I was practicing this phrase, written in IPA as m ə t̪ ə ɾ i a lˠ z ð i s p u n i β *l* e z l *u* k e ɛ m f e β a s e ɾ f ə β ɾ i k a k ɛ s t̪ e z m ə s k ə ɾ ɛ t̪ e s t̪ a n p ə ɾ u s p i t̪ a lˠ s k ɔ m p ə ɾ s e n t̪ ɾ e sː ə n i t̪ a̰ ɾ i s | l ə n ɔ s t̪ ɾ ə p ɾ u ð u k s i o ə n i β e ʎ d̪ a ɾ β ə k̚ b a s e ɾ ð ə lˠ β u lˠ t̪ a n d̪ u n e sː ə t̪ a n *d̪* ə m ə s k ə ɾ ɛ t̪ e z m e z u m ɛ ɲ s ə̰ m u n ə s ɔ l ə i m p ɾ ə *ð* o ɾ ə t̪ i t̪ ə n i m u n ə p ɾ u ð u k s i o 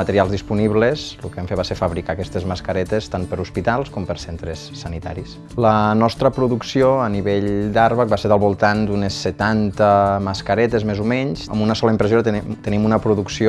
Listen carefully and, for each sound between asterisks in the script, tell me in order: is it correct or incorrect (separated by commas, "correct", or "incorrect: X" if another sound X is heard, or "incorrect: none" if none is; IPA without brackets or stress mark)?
correct, correct, incorrect: t̪, incorrect: z